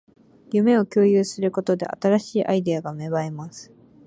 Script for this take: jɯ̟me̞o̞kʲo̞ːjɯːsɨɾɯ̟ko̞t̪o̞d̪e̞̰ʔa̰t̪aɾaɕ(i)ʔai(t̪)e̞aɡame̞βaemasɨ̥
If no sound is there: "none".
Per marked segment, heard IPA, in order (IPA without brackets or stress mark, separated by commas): iː, d̪